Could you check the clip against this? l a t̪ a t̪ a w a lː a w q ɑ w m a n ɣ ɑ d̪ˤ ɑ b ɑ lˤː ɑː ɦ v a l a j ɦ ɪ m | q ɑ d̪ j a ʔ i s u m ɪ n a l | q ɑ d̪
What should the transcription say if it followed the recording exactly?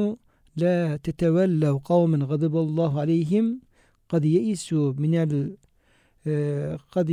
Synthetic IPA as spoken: l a t̪ a t̪ a w a lː a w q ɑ w m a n ɣ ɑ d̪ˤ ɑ b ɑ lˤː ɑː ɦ ʕ a l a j ɦ ɪ m | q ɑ d̪ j a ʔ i s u m ɪ n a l | q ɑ d̪